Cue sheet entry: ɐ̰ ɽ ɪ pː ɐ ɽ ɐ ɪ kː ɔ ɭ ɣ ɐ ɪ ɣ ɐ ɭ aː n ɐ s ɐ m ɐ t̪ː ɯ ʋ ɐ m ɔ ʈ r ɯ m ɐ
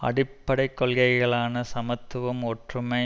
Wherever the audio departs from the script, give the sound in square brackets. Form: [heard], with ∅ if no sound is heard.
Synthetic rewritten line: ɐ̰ ɽ ɪ pː ɐ ɽ ɐ ɪ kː ɔ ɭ ɣ ɐ ɪ ɣ ɐ ɭ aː n ɐ s ɐ m ɐ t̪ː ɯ ʋ ɐ m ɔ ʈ r ɯ m ɐ

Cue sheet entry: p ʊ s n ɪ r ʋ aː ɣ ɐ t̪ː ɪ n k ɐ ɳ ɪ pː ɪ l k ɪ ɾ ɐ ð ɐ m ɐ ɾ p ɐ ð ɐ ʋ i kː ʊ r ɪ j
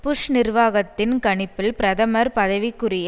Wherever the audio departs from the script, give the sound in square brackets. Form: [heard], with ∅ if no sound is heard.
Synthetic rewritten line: p ʊ [ʂ] n ɪ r ʋ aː ɣ ɐ t̪ː ɪ n k ɐ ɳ ɪ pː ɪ l [p] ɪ ɾ ɐ ð ɐ m ɐ ɾ p ɐ ð ɐ ʋ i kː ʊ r ɪ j

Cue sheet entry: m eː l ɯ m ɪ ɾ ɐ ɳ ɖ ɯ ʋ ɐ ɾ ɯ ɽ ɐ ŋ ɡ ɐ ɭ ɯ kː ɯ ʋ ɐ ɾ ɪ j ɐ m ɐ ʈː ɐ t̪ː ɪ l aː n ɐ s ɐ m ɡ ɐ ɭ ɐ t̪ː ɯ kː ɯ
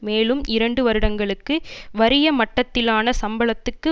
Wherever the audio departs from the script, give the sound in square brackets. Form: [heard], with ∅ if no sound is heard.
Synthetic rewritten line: m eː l ɯ m ɪ ɾ ɐ ɳ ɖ ɯ ʋ ɐ ɾ ɯ ɽ ɐ ŋ ɡ ɐ ɭ ɯ kː ɯ ʋ ɐ ɾ ɪ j ɐ m ɐ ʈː ɐ t̪ː ɪ l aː n ɐ s ɐ m [b] ɐ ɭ ɐ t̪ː ɯ kː ɯ

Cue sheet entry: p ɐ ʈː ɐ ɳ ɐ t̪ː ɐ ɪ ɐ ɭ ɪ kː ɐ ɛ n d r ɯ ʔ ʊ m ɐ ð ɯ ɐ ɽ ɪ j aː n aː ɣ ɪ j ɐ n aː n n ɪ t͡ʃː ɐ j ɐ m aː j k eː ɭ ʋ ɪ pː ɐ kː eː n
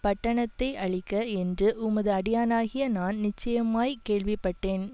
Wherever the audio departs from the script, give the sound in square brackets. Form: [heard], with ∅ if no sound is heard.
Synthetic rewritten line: p ɐ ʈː ɐ ɳ ɐ t̪ː ɐ ɪ ɐ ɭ ɪ kː ɐ ɛ n d r ɯ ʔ ʊ m ɐ ð ɯ ɐ ɽ ɪ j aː n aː ɣ ɪ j ɐ n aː n n ɪ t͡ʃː ɐ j ɐ m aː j k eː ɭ ʋ ɪ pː ɐ [ʈː] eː n

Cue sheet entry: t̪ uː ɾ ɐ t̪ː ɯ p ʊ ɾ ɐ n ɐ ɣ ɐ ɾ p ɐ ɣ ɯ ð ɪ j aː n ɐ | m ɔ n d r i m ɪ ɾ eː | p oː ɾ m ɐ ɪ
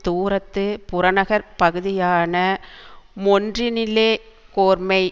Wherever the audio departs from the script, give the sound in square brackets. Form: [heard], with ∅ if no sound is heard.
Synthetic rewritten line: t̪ uː ɾ ɐ t̪ː ɯ p ʊ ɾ ɐ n ɐ ɣ ɐ ɾ p ɐ ɣ ɯ ð ɪ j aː n ɐ | m ɔ n d r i [n] ɪ [l] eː | [k] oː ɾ m ɐ ɪ

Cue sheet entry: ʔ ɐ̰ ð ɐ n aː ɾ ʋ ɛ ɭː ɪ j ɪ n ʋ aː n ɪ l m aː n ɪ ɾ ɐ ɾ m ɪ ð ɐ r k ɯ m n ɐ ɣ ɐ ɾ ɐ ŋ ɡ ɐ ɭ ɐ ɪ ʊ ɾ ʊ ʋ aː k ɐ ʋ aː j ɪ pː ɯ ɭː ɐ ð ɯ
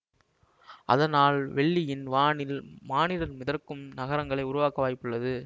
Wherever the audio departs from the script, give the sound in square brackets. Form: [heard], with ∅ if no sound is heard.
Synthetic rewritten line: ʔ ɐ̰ ð ɐ n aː [l] ʋ ɛ ɭː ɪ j ɪ n ʋ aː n ɪ l m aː n ɪ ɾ ɐ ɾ m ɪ ð ɐ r k ɯ m n ɐ ɣ ɐ ɾ ɐ ŋ ɡ ɐ ɭ ɐ ɪ ʊ ɾ ʊ ʋ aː k ɐ ʋ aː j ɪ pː ɯ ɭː ɐ ð ɯ

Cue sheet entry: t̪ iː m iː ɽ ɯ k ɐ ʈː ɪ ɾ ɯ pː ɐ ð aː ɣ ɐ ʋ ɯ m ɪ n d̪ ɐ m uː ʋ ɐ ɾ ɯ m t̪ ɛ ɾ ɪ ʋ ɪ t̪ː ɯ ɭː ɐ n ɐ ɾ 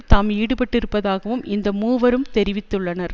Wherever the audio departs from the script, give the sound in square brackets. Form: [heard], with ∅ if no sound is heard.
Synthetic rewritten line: t̪ [aː] m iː ɽ ɯ [p] ɐ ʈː ɪ ɾ ɯ pː ɐ ð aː ɣ ɐ ʋ ɯ m ɪ n d̪ ɐ m uː ʋ ɐ ɾ ɯ m t̪ ɛ ɾ ɪ ʋ ɪ t̪ː ɯ ɭː ɐ n ɐ ɾ

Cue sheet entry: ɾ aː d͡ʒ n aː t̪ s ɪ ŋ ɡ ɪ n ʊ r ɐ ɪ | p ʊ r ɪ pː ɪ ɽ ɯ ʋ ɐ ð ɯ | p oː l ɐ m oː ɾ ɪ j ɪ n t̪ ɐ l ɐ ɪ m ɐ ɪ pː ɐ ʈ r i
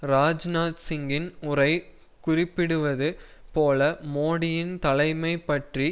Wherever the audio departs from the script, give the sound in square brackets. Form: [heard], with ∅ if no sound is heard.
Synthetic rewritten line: ɾ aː d͡ʒ n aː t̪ s ɪ ŋ ɡ ɪ n ʊ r ɐ ɪ | [k] ʊ r ɪ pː ɪ ɽ ɯ ʋ ɐ ð ɯ | p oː l ɐ m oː [ɽ] ɪ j ɪ n t̪ ɐ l ɐ ɪ m ɐ ɪ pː ɐ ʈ r i

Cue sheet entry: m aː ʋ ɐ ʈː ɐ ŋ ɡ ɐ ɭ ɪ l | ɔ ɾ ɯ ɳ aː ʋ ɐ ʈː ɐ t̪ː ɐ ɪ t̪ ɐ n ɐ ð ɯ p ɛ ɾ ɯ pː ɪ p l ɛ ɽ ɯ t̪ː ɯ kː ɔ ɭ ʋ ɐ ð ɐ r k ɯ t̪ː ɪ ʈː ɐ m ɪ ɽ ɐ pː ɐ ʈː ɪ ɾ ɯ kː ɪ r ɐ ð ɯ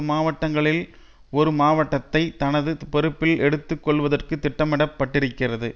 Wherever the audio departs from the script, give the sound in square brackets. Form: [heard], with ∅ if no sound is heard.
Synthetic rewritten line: m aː ʋ ɐ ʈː ɐ ŋ ɡ ɐ ɭ ɪ l | ɔ ɾ ɯ [m] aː ʋ ɐ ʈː ɐ t̪ː ɐ ɪ t̪ ɐ n ɐ ð ɯ p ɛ ɾ ɯ pː ɪ [∅] l ɛ ɽ ɯ t̪ː ɯ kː ɔ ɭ ʋ ɐ ð ɐ r k ɯ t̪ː ɪ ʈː ɐ m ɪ ɽ ɐ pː ɐ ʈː ɪ ɾ ɯ kː ɪ r ɐ ð ɯ

